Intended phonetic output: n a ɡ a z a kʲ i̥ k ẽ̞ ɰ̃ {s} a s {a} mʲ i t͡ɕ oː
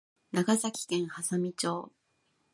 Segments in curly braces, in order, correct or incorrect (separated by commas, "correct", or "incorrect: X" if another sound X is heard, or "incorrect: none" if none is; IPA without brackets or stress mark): incorrect: h, correct